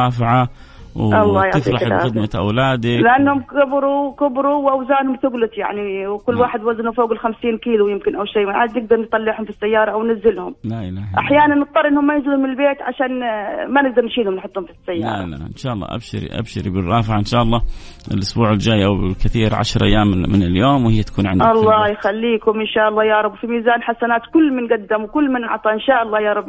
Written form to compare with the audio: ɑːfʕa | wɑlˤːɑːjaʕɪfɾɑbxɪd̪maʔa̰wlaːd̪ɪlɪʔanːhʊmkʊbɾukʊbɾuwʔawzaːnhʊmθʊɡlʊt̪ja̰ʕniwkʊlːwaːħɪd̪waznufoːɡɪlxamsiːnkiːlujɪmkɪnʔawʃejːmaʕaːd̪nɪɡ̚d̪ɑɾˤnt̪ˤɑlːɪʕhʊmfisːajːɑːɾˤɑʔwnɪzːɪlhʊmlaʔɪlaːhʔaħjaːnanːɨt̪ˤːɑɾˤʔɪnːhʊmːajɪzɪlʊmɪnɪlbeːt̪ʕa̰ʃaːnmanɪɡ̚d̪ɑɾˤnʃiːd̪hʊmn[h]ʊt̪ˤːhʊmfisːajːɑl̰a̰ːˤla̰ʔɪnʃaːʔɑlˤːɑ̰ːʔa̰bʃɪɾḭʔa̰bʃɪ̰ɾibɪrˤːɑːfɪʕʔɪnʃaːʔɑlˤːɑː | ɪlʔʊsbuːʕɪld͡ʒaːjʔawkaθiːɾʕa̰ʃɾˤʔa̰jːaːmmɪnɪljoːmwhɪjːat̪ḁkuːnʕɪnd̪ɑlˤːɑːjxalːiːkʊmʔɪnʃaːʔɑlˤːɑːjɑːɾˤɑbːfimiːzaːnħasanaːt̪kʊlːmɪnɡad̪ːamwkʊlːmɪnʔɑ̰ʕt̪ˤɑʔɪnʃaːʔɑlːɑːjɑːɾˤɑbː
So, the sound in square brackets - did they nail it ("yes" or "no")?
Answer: no